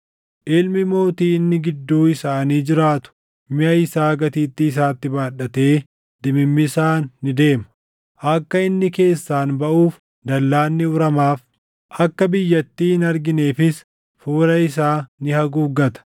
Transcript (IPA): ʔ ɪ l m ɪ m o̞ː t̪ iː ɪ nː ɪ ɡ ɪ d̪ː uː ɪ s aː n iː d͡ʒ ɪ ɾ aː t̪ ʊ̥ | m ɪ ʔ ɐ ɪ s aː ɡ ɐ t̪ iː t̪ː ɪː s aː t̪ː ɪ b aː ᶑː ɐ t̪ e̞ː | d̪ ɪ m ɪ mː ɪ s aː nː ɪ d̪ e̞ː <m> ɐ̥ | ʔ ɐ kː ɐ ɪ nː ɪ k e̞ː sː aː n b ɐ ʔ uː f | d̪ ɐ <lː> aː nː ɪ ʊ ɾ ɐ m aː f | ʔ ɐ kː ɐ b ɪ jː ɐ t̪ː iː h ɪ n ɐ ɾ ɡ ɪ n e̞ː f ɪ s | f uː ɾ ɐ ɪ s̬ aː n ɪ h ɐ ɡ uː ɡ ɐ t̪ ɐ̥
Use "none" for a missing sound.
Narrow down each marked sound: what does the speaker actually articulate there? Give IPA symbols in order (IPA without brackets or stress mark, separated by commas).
m, lː